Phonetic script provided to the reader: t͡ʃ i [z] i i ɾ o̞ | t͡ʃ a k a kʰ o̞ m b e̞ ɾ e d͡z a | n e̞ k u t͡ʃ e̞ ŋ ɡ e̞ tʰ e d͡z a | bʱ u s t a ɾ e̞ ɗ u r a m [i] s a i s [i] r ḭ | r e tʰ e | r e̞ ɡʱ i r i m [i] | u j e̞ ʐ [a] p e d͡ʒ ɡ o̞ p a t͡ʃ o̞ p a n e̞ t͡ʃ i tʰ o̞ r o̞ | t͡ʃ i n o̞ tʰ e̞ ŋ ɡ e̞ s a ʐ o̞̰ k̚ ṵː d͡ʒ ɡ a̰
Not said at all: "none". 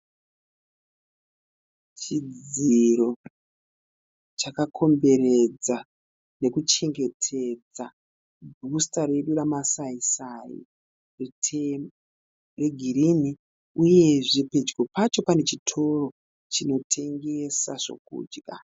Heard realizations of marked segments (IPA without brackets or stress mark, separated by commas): d͡z, a, a, i, i